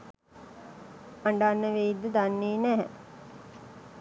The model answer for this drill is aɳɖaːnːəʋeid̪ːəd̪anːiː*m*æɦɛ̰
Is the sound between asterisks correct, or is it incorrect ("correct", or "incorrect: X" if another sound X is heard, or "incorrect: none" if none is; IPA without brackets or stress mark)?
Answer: incorrect: n